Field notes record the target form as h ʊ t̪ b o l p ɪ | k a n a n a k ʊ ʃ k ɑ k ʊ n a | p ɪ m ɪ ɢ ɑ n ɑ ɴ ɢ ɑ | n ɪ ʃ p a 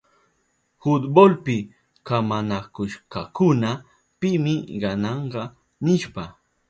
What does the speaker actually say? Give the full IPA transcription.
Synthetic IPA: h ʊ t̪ b o l p ɪ | k a m a n a k ʊ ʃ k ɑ k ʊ n a | p ɪ m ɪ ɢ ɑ n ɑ ɴ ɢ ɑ | n ɪ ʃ p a